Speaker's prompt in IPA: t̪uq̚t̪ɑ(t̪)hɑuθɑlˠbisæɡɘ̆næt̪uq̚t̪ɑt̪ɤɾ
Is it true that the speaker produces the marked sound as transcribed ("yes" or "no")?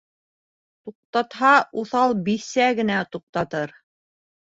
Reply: yes